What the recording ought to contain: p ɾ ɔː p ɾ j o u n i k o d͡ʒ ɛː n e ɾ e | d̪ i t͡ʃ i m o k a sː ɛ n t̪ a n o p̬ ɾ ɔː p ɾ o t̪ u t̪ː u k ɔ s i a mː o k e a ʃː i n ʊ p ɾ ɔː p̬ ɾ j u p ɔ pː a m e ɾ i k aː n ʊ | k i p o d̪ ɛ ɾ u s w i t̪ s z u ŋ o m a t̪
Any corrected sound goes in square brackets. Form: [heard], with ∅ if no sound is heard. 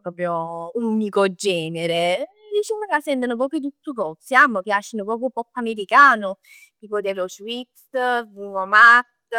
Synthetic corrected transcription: p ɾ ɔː p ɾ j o u n i k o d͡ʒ ɛː n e ɾ e | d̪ i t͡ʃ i m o k a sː ɛ n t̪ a n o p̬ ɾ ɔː p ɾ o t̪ u t̪ː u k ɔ s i a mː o k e a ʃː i n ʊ p ɾ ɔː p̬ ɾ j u p ɔ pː a m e ɾ i k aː n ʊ | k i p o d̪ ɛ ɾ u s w i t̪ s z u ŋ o m a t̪